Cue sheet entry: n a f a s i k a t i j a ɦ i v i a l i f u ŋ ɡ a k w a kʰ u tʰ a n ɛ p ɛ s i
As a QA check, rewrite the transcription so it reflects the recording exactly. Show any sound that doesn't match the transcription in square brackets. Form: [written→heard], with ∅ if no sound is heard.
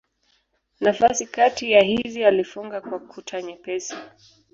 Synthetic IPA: n a f a s i k a t i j a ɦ i [v→z] i a l i f u ŋ ɡ a k w a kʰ u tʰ a [n→ɲ] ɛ p ɛ s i